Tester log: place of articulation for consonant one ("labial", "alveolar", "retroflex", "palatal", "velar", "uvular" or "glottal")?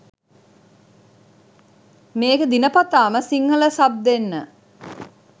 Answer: labial